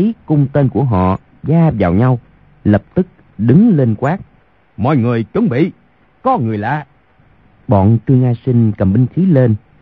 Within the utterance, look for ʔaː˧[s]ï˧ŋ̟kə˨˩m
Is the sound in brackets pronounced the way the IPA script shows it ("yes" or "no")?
yes